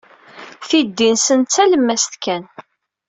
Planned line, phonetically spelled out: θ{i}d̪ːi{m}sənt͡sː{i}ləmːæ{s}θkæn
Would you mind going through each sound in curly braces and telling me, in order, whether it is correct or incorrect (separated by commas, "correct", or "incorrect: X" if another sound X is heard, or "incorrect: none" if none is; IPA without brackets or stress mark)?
correct, incorrect: n, incorrect: æ, correct